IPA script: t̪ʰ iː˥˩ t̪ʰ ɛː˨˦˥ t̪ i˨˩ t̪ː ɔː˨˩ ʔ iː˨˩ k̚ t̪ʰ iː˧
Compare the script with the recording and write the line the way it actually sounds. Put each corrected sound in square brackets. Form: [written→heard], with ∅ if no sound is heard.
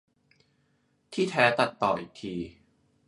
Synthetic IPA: t̪ʰ iː˥˩ t̪ʰ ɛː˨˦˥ t̪ [i˨˩→a˨˩] t̪ː ɔː˨˩ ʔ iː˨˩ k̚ t̪ʰ iː˧